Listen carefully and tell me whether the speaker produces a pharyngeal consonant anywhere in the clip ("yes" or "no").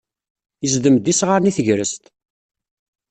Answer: no